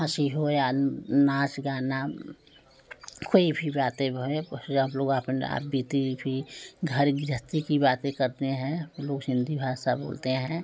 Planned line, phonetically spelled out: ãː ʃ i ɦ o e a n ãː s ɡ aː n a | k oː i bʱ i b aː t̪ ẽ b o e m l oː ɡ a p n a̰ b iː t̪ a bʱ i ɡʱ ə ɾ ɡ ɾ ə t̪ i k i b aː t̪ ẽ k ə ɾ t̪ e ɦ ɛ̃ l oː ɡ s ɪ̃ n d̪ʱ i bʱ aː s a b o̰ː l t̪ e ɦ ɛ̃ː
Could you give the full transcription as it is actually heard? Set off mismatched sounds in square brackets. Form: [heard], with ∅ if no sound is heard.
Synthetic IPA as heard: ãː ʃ i ɦ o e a n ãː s ɡ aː n a | k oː i bʱ i b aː t̪ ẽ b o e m l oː ɡ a p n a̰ b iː t̪ [i] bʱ i ɡʱ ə ɾ ɡ ɾ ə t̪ i k i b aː t̪ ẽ k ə ɾ t̪ e ɦ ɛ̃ l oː ɡ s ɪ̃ n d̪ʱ i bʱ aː s a b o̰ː l t̪ e ɦ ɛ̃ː

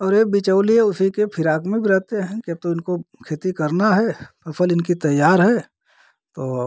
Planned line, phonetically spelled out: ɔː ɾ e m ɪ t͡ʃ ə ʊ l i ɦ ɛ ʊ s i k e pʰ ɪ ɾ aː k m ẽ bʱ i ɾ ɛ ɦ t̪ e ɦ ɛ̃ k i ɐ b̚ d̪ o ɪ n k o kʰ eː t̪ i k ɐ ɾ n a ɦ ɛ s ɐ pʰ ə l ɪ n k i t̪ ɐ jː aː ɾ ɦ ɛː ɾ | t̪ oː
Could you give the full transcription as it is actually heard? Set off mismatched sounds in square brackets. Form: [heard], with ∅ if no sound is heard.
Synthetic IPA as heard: ɔː ɾ e [b] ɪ t͡ʃ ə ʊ l i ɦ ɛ ʊ s i k e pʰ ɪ ɾ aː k m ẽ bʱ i ɾ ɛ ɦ t̪ e ɦ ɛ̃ k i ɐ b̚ [t̪] o ɪ n k o kʰ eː t̪ i k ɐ ɾ n a ɦ ɛ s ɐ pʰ ə l ɪ n k i t̪ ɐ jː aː ɾ ɦ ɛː [∅] | t̪ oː

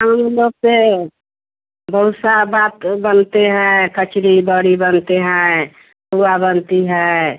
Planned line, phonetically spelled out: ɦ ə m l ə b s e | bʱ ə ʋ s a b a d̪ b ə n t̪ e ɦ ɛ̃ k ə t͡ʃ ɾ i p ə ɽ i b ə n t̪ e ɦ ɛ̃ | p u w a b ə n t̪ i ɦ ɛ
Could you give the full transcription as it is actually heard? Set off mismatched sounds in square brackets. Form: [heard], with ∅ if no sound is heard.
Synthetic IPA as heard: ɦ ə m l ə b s e | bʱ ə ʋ s a b a [t̪] b ə n t̪ e ɦ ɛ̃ k ə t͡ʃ ɾ i [b] ə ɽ i b ə n t̪ e ɦ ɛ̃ | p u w a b ə n t̪ i ɦ ɛ

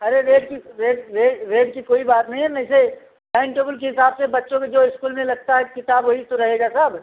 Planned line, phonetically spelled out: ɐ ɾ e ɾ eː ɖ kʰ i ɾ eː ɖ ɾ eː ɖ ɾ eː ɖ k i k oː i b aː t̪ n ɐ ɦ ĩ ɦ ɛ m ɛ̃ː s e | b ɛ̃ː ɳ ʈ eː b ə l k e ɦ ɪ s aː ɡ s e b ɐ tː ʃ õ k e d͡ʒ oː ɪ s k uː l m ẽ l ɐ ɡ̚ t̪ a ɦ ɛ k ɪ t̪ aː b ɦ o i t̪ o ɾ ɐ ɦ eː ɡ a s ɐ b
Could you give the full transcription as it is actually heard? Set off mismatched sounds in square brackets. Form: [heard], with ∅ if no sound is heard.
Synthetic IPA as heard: ɐ ɾ e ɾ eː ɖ [k] i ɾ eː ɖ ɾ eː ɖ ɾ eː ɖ k i k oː i b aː t̪ n ɐ ɦ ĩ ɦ ɛ m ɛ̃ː s e | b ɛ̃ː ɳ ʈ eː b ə l k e ɦ ɪ s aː [b] s e b ɐ tː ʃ õ k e d͡ʒ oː ɪ s k uː l m ẽ l ɐ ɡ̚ t̪ a ɦ ɛ k ɪ t̪ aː b ɦ o i t̪ o ɾ ɐ ɦ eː ɡ a s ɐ b

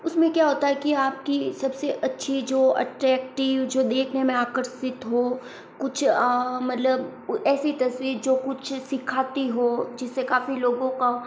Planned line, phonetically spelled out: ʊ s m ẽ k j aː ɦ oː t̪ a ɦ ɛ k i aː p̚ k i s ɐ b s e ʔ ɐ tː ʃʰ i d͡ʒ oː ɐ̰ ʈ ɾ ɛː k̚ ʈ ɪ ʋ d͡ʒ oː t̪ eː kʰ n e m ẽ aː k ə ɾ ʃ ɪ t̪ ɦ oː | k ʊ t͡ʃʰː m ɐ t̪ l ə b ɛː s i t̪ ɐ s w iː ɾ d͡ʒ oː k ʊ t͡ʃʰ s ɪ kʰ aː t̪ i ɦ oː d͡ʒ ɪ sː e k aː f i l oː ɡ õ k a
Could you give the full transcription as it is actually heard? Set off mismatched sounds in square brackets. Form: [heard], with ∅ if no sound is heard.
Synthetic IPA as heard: ʊ s m ẽ k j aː ɦ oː t̪ a ɦ ɛ k i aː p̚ k i s ɐ b s e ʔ ɐ tː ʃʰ i d͡ʒ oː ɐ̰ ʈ ɾ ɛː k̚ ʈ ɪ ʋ d͡ʒ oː [d̪] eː kʰ n e m ẽ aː k ə ɾ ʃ ɪ t̪ ɦ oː | k ʊ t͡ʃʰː m ɐ t̪ l ə b ɛː s i t̪ ɐ s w iː ɾ d͡ʒ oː k ʊ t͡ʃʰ s ɪ kʰ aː t̪ i ɦ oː d͡ʒ ɪ sː e k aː f i l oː ɡ õ k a

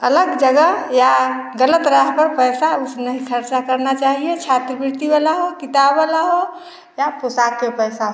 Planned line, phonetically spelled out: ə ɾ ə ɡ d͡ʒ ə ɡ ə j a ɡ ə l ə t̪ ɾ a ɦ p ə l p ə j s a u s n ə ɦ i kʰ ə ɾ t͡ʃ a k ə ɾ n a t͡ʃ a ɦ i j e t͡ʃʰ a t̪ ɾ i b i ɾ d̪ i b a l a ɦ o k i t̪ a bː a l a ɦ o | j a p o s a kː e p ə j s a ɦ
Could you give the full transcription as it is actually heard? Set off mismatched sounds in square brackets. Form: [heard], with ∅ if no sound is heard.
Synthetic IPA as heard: ə [l] ə ɡ d͡ʒ ə ɡ ə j a ɡ ə l ə t̪ ɾ a ɦ p ə [ɾ] p ə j s a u s n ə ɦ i kʰ ə ɾ t͡ʃ a k ə ɾ n a t͡ʃ a ɦ i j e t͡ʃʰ a t̪ ɾ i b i ɾ [t̪] i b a l a ɦ o k i t̪ a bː a l a ɦ o | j a p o s a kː e p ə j s a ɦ

